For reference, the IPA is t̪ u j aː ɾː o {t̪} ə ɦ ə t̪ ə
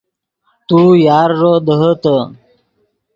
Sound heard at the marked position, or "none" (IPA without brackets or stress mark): d̪